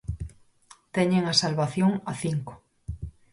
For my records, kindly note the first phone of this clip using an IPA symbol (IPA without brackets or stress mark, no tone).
t̪